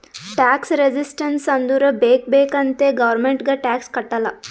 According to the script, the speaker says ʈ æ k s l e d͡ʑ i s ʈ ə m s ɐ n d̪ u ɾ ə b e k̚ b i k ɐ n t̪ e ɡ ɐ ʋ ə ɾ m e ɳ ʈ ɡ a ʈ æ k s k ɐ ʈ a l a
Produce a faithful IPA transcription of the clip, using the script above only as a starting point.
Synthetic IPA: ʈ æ k s ɾ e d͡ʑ i s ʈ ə n s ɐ n d̪ u ɾ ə b e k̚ b e k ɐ n t̪ e ɡ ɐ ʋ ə ɾ m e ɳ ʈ ɡ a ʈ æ k s k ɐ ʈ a l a